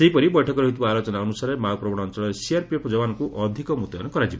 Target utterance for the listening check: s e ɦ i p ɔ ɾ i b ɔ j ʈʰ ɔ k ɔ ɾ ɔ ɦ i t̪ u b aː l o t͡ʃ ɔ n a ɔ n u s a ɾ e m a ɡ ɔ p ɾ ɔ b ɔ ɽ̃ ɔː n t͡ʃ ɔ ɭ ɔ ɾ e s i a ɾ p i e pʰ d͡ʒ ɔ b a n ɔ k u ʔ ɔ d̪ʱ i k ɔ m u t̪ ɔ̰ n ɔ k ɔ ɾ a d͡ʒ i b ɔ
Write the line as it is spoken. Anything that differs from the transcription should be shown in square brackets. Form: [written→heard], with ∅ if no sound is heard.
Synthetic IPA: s e ɦ i p ɔ ɾ i b ɔ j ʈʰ ɔ k ɔ ɾ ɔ ɦ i t̪ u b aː l o t͡ʃ ɔ n a ɔ n u s a ɾ e m a ɡ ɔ p ɾ ɔ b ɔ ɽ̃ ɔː n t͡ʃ ɔ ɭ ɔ ɾ e s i a ɾ p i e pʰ d͡ʒ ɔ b a n ɔ k u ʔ ɔ d̪ʱ i k ɔ m u t̪ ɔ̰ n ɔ k ɔ ɾ a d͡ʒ i b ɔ